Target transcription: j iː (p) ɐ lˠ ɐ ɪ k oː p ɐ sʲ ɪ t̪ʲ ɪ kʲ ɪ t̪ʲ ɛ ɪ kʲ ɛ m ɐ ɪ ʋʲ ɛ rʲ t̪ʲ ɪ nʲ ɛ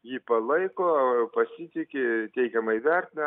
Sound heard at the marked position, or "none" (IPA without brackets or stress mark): p